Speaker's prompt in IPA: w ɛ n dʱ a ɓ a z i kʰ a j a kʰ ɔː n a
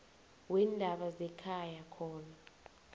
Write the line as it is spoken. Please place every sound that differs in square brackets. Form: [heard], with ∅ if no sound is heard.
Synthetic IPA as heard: w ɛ n dʱ a ɓ a z [ɛ] kʰ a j a kʰ ɔː n a